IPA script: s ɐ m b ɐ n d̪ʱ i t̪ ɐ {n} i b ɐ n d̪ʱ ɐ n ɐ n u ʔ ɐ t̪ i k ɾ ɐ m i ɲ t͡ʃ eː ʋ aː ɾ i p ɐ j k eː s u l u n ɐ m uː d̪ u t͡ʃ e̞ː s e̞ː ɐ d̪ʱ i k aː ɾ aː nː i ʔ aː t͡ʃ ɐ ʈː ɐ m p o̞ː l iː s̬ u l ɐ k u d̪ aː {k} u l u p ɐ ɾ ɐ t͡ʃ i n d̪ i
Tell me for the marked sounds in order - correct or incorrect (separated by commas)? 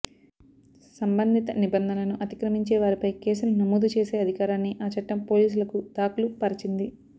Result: correct, correct